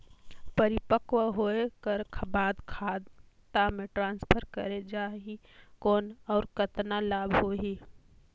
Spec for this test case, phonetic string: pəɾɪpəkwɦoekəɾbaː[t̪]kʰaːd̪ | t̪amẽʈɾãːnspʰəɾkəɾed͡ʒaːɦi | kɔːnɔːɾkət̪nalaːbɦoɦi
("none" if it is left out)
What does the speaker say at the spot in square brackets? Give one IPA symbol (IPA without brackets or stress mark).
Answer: d̪